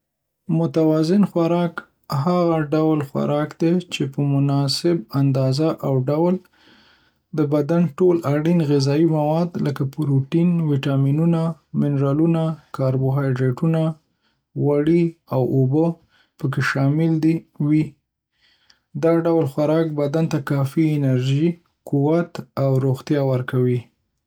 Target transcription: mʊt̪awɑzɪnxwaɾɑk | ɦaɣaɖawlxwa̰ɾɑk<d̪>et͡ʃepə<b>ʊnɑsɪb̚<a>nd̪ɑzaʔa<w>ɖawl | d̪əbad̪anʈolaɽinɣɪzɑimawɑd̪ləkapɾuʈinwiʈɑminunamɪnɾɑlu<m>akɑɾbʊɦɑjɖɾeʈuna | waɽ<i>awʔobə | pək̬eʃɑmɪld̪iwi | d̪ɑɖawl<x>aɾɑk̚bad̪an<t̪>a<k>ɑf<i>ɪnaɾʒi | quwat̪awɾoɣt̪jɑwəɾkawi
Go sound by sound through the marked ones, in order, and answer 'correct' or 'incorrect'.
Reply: correct, incorrect: m, correct, correct, incorrect: n, correct, correct, correct, correct, correct

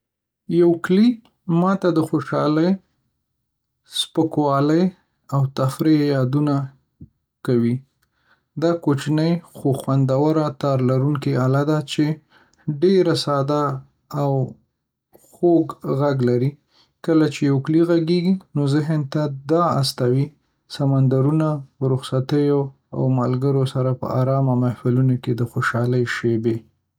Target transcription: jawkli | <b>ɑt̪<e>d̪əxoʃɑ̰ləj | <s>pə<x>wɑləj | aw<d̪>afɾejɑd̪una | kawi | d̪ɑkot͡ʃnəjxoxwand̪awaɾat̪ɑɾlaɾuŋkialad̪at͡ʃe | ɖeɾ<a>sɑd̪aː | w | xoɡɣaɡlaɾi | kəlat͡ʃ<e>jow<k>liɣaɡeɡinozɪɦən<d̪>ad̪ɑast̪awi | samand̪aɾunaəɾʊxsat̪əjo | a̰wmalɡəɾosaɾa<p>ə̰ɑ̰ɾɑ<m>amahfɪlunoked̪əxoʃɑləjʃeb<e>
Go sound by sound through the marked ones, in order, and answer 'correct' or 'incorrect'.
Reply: incorrect: m, incorrect: a, correct, incorrect: k, incorrect: t̪, correct, correct, correct, incorrect: t̪, correct, correct, correct

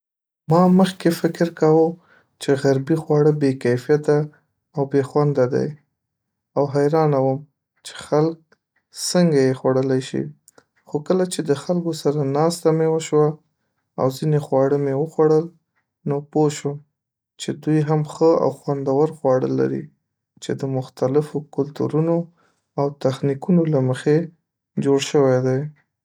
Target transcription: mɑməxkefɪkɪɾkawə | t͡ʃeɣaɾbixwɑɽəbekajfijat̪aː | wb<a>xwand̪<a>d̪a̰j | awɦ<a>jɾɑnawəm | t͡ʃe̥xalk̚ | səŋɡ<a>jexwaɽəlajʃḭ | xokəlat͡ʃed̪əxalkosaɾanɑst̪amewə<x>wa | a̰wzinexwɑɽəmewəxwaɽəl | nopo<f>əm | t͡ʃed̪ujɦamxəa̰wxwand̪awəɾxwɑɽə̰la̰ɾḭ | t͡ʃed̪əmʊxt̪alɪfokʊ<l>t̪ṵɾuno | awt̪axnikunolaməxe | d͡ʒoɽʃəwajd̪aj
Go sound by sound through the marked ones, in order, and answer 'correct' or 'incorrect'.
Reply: incorrect: e, correct, correct, correct, incorrect: ʃ, incorrect: ʃ, correct

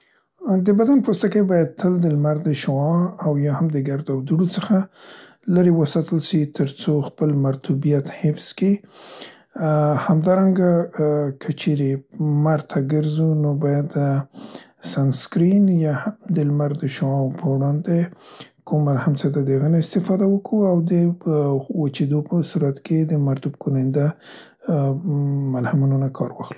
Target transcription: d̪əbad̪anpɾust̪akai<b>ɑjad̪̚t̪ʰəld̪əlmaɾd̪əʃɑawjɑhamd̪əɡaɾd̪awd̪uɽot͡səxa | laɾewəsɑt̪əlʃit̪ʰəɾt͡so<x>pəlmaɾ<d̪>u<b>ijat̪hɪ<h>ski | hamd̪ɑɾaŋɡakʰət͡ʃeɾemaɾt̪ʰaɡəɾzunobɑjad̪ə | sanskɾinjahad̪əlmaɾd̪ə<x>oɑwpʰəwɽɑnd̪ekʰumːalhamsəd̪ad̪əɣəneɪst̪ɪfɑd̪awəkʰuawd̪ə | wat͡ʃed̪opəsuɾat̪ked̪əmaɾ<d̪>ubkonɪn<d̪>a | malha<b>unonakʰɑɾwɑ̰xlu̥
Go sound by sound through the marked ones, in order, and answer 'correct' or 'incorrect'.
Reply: correct, correct, incorrect: t̪, correct, incorrect: f, incorrect: ʃ, incorrect: t̪, correct, incorrect: m

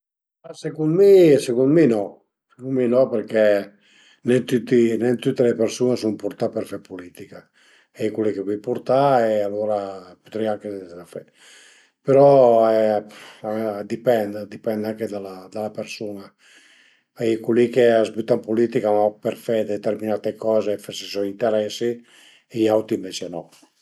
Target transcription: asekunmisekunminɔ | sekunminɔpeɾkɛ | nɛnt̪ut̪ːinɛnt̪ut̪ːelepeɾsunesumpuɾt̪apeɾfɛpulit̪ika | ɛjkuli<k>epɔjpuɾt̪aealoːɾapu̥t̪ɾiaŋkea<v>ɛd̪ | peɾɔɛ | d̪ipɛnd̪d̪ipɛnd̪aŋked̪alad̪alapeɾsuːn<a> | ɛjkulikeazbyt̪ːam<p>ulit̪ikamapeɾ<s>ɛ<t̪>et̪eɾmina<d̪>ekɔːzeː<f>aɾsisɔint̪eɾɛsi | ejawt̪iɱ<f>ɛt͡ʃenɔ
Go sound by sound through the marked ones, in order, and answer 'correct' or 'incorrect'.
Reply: correct, incorrect: f, correct, correct, incorrect: f, incorrect: d̪, incorrect: t̪, correct, incorrect: v

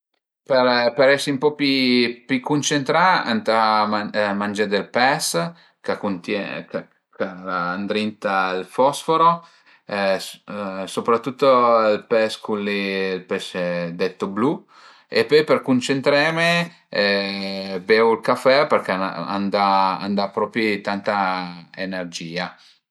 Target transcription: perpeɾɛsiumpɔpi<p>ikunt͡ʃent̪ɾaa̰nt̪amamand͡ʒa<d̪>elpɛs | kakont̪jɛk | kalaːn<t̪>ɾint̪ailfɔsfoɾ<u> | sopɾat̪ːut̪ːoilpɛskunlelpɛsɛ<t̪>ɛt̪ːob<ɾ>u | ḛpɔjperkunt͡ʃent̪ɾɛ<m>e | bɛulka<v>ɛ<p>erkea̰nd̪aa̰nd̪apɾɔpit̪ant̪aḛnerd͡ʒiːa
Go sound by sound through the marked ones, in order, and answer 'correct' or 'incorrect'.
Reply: correct, correct, incorrect: d̪, incorrect: o, incorrect: d̪, incorrect: l, correct, incorrect: f, correct

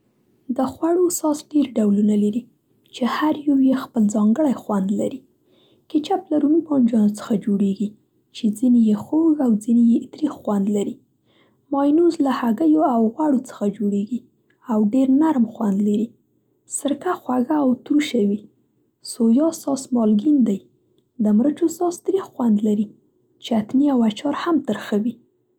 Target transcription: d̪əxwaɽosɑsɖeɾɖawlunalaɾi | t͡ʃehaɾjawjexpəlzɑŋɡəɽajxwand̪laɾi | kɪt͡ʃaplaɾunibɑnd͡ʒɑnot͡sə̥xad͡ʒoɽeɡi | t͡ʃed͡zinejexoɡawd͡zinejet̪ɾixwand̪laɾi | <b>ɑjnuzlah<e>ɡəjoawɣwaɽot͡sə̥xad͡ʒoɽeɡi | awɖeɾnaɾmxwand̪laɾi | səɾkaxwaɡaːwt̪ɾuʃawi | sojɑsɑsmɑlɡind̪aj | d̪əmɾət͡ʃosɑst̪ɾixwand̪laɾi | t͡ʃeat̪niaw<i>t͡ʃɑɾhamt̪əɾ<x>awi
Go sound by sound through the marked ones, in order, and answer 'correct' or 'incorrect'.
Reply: incorrect: m, incorrect: a, incorrect: a, correct

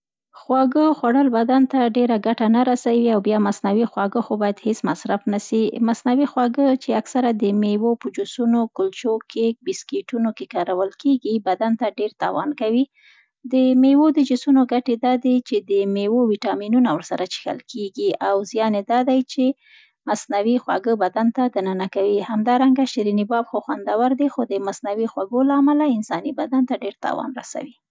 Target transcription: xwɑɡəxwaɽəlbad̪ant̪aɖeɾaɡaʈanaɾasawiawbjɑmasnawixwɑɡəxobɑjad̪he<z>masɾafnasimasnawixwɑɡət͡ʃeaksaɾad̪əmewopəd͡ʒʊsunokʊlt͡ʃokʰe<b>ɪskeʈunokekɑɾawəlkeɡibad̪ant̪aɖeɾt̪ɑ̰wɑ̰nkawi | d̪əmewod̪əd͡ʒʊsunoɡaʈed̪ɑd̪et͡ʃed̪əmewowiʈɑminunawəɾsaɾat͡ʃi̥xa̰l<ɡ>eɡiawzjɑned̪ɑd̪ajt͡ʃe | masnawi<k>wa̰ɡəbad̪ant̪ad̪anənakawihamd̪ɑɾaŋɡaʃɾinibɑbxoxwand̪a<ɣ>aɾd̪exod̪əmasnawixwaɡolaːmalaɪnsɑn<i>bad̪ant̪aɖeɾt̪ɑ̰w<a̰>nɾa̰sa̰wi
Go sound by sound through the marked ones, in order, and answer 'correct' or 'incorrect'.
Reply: incorrect: s, correct, incorrect: k, incorrect: x, incorrect: w, correct, incorrect: ɑ̰

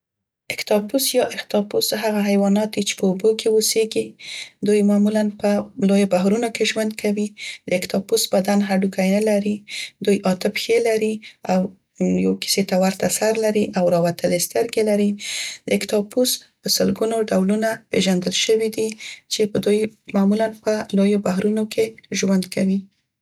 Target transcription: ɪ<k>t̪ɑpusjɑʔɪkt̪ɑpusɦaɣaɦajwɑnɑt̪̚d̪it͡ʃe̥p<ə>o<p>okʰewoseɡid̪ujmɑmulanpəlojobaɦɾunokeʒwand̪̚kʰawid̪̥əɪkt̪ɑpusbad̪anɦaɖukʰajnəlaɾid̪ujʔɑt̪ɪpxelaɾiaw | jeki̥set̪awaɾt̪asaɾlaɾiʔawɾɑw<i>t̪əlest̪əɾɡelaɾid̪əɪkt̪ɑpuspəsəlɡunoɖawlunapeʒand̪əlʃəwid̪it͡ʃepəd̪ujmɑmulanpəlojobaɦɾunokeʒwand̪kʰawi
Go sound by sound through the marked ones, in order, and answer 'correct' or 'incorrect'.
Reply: correct, correct, incorrect: b, incorrect: a

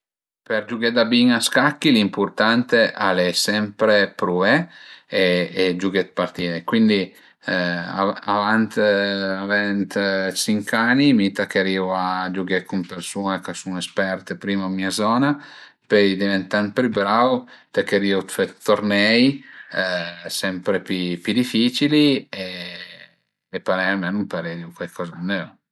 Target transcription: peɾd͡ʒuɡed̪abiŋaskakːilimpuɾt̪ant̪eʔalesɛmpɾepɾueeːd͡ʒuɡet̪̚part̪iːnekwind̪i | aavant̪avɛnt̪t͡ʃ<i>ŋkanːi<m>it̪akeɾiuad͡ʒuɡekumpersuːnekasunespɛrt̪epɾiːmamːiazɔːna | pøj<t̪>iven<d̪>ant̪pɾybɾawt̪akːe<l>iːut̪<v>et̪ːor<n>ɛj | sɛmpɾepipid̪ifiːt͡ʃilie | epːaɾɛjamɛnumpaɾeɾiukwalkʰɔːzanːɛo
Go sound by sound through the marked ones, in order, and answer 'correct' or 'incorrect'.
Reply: correct, correct, incorrect: d̪, incorrect: t̪, incorrect: ɾ, incorrect: f, correct

